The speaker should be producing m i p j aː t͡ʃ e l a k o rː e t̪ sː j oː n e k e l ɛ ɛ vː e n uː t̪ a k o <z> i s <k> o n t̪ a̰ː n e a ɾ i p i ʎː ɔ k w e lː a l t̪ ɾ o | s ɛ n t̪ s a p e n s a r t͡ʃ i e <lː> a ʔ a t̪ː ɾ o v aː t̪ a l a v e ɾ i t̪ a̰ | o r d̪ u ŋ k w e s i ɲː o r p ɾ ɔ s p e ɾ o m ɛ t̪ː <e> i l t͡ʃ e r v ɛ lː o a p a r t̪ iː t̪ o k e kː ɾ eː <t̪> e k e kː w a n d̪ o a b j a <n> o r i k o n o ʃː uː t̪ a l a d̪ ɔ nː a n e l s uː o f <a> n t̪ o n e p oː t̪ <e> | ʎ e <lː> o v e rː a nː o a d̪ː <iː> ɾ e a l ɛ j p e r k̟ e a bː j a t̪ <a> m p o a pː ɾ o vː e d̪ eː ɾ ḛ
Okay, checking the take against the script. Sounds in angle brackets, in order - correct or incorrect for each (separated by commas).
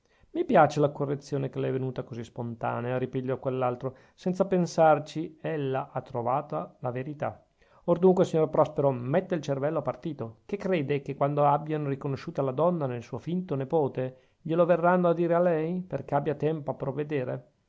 correct, incorrect, correct, correct, incorrect, correct, incorrect, correct, incorrect, correct, incorrect